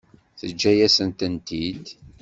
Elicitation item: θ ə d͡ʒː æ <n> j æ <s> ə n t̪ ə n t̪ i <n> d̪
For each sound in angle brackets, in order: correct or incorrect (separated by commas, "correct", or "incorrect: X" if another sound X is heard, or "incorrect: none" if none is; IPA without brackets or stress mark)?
incorrect: none, correct, incorrect: none